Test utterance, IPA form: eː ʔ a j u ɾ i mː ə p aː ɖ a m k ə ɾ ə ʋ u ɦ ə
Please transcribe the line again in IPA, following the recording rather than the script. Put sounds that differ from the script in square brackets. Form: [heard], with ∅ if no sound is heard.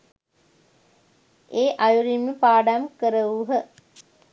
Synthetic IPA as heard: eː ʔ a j u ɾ i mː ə p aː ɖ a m k ə ɾ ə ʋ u ɦ ə